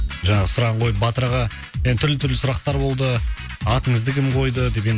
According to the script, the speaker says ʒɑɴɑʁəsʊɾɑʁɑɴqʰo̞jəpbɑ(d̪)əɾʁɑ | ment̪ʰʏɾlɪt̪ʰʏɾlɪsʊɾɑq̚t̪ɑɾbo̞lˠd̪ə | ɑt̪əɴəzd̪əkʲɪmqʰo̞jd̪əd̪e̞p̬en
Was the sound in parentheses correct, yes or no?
no